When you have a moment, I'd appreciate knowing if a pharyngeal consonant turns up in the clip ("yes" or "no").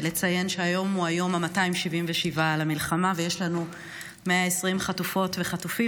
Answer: no